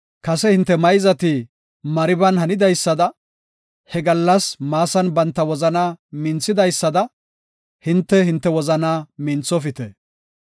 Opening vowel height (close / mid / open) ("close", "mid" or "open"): open